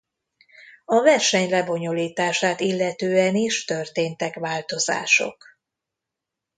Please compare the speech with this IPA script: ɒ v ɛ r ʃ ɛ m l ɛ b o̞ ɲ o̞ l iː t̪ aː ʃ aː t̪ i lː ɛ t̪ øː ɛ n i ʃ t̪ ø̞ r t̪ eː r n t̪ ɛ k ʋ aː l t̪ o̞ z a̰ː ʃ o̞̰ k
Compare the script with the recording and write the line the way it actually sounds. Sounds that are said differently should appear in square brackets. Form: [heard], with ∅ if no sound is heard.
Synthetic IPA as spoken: ɒ v ɛ r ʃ ɛ [ɲ] l ɛ b o̞ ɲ o̞ l iː t̪ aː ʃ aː t̪ i lː ɛ t̪ øː ɛ n i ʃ t̪ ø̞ r t̪ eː [∅] n t̪ ɛ k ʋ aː l t̪ o̞ z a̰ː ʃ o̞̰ k